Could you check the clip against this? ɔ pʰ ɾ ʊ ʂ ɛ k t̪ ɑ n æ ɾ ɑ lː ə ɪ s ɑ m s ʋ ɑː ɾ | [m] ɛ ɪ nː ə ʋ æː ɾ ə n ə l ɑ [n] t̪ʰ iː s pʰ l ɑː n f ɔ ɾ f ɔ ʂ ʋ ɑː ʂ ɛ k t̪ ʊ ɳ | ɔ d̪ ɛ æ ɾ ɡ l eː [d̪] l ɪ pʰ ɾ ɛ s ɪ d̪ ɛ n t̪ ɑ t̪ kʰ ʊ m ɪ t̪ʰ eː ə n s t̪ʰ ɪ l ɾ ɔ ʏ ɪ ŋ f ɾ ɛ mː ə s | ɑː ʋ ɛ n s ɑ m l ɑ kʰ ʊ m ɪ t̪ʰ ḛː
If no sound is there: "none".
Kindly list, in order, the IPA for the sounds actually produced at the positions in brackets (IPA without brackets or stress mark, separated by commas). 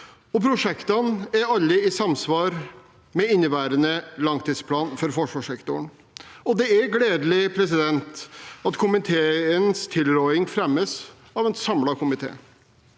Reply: m, ŋ, d̪